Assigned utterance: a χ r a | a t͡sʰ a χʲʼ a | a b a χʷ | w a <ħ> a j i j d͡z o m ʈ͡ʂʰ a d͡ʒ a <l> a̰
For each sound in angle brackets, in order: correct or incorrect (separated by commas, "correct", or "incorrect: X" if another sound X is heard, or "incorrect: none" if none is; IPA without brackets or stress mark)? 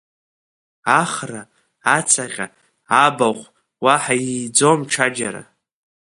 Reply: correct, incorrect: ɾ